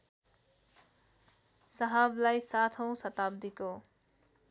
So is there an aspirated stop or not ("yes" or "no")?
yes